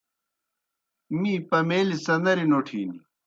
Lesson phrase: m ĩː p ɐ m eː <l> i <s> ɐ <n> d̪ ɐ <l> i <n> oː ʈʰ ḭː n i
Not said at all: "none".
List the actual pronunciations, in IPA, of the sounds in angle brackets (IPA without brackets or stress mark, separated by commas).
l, s, n, ɾ, n